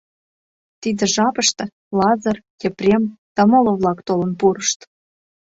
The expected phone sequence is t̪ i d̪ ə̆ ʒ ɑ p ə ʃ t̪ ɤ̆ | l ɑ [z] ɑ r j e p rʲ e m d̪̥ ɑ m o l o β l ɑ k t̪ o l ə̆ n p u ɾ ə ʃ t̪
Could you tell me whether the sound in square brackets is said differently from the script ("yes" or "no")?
no